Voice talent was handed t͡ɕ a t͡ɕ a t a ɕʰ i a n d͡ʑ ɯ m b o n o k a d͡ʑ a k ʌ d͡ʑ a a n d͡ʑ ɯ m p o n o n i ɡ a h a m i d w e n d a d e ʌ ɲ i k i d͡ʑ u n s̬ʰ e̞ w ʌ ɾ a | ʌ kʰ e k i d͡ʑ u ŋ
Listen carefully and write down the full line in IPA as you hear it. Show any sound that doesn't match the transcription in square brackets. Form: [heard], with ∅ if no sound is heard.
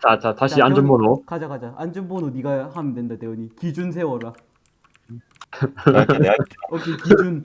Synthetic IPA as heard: t͡ɕ a t͡ɕ a t a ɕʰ i a n d͡ʑ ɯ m b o n o k a d͡ʑ a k [a] d͡ʑ a a n d͡ʑ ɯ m [b] o n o n i ɡ a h a m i d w e n d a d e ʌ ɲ i k i d͡ʑ u n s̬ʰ e̞ w ʌ ɾ a | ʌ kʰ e k i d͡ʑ u [n]

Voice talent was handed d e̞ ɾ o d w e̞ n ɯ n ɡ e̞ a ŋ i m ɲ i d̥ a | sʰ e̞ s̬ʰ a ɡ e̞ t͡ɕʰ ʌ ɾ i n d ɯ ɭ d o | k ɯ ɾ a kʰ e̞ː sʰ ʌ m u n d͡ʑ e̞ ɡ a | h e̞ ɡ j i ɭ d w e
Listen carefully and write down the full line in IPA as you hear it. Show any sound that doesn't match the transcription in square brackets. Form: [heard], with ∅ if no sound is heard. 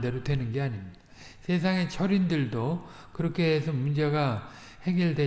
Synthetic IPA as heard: d e̞ ɾ o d w e̞ n ɯ n ɡ e̞ a [ɲ] i m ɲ i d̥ a | sʰ e̞ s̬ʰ a [ŋ] e̞ t͡ɕʰ ʌ ɾ i n d ɯ ɭ d o | k ɯ ɾ [ʌ] kʰ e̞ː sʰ ʌ m u n d͡ʑ e̞ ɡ a | h e̞ ɡ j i ɭ d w e

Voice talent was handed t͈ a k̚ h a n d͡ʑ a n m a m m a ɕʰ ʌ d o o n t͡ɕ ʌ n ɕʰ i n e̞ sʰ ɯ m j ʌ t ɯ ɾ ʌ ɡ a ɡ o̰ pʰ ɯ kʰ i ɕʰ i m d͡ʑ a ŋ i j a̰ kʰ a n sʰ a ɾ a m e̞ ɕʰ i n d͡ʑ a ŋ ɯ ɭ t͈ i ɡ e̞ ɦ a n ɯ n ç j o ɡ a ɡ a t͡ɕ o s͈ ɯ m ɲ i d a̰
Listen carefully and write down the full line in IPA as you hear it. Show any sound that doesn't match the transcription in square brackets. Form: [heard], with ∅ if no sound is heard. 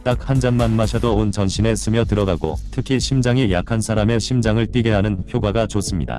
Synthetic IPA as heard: t͈ a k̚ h a n d͡ʑ a n m a [n] m a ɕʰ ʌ d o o n t͡ɕ ʌ n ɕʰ i n e̞ sʰ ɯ m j ʌ t ɯ ɾ ʌ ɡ a ɡ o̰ [tʰ] ɯ kʰ i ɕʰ i m d͡ʑ a ŋ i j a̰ kʰ a n sʰ a ɾ a m e̞ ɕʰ i [m] d͡ʑ a ŋ ɯ ɭ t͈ i ɡ e̞ ɦ a n ɯ n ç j o ɡ a ɡ a t͡ɕ o s͈ ɯ m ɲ i d a̰

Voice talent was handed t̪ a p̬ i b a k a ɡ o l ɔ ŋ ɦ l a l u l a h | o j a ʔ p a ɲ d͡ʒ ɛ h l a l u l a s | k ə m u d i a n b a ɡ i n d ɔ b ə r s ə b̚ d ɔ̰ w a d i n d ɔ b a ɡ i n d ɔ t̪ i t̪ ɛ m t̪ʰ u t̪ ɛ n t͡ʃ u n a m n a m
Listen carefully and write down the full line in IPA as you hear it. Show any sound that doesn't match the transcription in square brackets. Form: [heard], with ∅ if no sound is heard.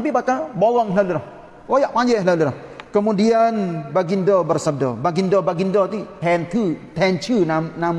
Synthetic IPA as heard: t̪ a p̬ i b a k a [b] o l ɔ ŋ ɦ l a l u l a h | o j a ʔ p a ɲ d͡ʒ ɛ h l a l u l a [h] | k ə m u d i a n b a ɡ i n d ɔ b ə r s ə b̚ d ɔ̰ [b] a [ɡ] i n d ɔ b a ɡ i n d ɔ t̪ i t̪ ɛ [n] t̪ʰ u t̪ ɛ n t͡ʃ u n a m n a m

